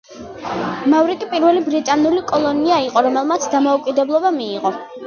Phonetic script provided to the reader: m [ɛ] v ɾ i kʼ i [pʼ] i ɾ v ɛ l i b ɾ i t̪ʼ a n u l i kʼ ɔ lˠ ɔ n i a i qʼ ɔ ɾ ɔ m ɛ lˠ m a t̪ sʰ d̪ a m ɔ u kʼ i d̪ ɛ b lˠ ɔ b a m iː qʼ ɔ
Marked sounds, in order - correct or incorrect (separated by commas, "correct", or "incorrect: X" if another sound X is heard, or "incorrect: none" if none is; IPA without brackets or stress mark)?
incorrect: a, correct